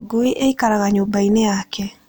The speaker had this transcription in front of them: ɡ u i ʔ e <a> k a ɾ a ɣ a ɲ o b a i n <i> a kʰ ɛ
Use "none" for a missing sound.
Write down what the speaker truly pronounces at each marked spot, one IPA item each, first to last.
i, e

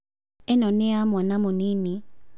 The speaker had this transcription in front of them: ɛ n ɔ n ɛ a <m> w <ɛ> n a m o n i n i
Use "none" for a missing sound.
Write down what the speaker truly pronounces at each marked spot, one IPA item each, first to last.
m, a

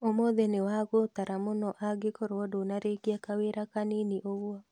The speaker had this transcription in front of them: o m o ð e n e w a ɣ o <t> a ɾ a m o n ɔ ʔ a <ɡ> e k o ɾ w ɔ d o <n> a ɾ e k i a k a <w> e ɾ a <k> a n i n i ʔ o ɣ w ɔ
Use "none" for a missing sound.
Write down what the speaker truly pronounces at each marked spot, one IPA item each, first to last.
t, ɡ, n, w, k

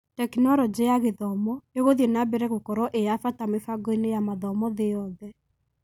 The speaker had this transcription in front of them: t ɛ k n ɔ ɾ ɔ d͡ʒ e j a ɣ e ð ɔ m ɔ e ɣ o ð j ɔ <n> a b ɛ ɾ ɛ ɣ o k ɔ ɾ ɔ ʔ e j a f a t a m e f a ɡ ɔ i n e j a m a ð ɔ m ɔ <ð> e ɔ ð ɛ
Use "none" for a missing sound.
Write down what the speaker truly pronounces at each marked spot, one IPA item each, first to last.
n, ð

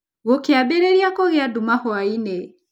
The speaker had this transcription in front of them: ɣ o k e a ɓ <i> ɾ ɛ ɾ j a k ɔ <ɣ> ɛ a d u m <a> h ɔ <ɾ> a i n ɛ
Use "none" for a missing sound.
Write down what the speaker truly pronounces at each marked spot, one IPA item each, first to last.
ɛ, ɣ, a, none

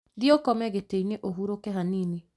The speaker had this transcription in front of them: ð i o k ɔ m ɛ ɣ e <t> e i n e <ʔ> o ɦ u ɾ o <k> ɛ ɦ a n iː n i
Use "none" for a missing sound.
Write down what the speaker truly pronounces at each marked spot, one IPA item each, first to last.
t, ʔ, k

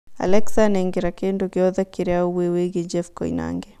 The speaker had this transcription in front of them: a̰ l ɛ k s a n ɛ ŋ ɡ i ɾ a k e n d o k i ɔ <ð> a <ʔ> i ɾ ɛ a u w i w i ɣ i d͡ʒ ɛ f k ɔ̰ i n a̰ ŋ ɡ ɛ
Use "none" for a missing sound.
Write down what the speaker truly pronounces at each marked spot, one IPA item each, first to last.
ð, k

